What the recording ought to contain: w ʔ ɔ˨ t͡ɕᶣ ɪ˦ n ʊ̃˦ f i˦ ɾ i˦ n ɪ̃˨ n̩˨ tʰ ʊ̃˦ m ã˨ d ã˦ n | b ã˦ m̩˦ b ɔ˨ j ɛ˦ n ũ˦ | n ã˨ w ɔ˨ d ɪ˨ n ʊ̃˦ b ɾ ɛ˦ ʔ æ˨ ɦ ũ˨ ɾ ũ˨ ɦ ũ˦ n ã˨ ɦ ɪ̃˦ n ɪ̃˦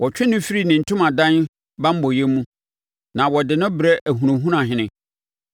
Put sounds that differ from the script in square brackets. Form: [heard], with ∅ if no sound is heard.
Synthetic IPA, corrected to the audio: w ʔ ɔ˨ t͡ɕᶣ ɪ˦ n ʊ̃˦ f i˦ ɾ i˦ n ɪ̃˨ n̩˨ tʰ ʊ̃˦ m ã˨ d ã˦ n | b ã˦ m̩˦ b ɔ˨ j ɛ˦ [m] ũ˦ | n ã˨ w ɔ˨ d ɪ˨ n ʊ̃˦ b ɾ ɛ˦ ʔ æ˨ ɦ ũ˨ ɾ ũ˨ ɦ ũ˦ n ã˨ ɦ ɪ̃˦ n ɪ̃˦